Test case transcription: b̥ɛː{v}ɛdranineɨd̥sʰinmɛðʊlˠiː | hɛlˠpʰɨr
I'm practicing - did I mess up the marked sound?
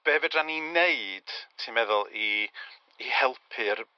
no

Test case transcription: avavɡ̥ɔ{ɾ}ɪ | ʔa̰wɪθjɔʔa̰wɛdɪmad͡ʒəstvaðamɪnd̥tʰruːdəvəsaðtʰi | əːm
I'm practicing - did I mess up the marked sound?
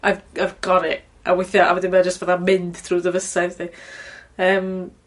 no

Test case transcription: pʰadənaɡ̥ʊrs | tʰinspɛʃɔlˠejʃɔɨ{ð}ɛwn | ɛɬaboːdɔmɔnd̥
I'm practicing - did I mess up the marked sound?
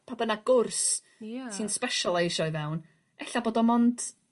yes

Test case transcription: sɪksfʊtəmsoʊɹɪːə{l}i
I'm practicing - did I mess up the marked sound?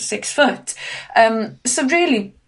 no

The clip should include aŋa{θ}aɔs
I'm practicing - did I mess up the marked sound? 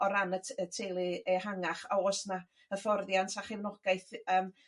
yes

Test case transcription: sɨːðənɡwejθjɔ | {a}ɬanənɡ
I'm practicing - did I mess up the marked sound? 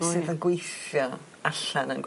no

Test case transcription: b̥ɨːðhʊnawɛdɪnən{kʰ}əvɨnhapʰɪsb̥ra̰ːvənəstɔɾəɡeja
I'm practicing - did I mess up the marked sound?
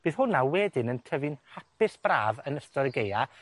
yes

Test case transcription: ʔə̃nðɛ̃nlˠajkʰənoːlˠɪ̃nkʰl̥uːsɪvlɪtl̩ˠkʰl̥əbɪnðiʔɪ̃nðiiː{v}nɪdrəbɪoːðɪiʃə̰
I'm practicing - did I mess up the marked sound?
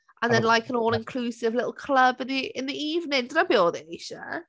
no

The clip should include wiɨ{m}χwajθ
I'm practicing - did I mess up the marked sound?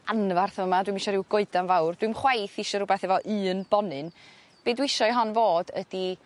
no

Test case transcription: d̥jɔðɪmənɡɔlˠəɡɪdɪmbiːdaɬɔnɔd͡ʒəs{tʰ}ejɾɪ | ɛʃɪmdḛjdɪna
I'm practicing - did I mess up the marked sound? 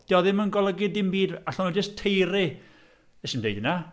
no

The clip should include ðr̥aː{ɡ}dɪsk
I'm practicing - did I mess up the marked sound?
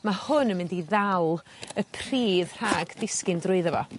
no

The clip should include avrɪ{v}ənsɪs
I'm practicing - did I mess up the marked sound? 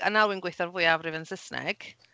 no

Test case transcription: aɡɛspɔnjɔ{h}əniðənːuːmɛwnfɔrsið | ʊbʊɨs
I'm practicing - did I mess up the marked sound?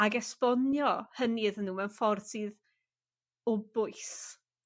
no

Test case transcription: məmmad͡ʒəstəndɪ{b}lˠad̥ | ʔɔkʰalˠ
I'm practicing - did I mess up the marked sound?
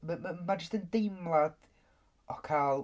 yes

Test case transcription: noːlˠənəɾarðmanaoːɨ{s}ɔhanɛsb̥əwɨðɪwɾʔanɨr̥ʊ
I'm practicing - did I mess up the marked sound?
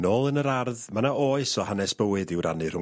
no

